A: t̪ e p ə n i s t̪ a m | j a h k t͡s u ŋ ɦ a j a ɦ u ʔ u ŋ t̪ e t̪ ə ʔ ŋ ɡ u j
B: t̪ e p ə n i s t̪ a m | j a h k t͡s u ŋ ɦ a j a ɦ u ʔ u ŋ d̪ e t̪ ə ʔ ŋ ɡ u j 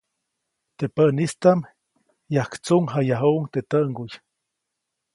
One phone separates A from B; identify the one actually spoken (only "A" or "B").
A